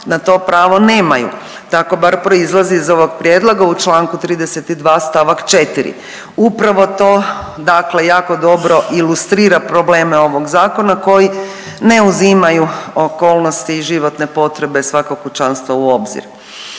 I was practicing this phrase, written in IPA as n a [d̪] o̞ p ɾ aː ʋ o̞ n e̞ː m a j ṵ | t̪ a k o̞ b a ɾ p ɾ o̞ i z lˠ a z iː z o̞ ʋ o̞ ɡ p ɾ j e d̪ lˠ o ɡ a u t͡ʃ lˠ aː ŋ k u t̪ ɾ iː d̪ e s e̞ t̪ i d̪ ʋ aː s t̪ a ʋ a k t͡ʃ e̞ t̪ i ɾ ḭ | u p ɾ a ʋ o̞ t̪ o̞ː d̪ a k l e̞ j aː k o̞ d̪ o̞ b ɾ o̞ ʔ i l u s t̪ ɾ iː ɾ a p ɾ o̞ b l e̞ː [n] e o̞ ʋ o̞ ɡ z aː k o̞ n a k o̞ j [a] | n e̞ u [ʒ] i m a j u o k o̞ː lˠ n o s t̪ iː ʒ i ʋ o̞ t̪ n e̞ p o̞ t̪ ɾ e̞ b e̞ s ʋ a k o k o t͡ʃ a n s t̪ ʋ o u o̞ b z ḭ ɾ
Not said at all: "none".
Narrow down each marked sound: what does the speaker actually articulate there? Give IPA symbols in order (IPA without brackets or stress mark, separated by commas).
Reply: t̪, m, i, z